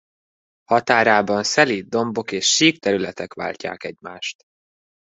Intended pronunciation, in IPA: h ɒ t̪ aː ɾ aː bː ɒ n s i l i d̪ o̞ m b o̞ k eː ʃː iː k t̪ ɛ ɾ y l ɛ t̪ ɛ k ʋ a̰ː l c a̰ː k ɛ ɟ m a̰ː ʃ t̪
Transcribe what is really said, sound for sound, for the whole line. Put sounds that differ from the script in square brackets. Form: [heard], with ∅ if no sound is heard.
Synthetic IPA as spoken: h ɒ t̪ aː ɾ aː [b] ɒ n s [ɛ] l i d̪ o̞ m b o̞ k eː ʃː iː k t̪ ɛ ɾ y l ɛ t̪ ɛ k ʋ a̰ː l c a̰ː k ɛ ɟ m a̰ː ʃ t̪

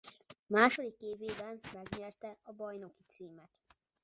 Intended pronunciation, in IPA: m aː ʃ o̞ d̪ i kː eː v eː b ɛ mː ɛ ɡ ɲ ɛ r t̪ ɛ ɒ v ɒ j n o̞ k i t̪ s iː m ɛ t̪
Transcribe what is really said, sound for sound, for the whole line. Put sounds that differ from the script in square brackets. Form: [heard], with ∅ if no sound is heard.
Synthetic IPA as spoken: m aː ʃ o̞ d̪ i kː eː v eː b ɛ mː ɛ ɡ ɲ ɛ r t̪ ɛ ɒ [b] ɒ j n o̞ k i t̪ s iː m ɛ t̪

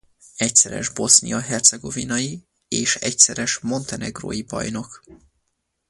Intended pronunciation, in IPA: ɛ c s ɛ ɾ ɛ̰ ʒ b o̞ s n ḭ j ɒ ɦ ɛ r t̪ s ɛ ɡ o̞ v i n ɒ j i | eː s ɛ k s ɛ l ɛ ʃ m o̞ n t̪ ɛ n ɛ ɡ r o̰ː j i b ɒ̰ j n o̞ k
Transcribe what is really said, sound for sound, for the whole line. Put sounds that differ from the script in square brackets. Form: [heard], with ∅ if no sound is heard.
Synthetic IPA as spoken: ɛ c s ɛ ɾ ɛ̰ ʒ b o̞ s n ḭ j ɒ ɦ ɛ r t̪ s ɛ ɡ o̞ v i n ɒ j i | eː [ʃ] ɛ [c] s ɛ [ɾ] ɛ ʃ m o̞ n t̪ ɛ n ɛ ɡ r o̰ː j i b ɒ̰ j n o̞ k

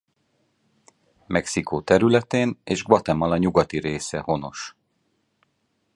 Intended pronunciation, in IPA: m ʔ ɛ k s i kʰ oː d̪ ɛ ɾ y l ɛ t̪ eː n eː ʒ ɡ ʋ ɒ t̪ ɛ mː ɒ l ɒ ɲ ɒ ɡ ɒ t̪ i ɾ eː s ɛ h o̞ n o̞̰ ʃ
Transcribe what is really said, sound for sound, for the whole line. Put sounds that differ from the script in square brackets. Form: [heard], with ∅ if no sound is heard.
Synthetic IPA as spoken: m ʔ ɛ k s i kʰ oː [t̪] ɛ ɾ y l ɛ t̪ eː n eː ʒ ɡ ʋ ɒ t̪ ɛ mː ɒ l ɒ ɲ [u] ɡ ɒ t̪ i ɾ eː s ɛ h o̞ n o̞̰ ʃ

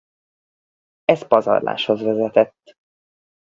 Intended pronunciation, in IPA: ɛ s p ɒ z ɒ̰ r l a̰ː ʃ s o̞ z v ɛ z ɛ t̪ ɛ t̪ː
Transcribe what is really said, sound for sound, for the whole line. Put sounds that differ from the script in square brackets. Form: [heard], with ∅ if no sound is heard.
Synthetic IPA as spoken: ɛ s p ɒ z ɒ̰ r l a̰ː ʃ [h] o̞ z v ɛ z ɛ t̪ ɛ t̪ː

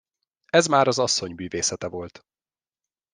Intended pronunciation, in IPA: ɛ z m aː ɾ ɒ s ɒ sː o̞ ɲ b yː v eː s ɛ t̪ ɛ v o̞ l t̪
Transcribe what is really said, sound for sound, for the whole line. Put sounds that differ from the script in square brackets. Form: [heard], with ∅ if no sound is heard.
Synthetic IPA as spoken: ɛ z m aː ɾ ɒ [z] ɒ sː o̞ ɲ [m] yː v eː s ɛ t̪ ɛ v o̞ l t̪

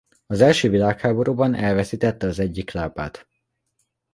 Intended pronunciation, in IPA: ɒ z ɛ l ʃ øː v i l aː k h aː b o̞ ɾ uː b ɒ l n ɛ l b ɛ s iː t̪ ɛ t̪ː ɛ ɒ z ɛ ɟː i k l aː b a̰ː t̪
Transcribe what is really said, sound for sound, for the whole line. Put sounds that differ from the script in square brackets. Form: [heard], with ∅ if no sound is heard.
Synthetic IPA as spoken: ɒ z ɛ l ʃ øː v i l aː k h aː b o̞ ɾ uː b ɒ [∅] n ɛ l [v] ɛ s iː t̪ ɛ t̪ː ɛ ɒ z ɛ ɟː i k l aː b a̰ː t̪

